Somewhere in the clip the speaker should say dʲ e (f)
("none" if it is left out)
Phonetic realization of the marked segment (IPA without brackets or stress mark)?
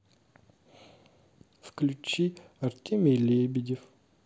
f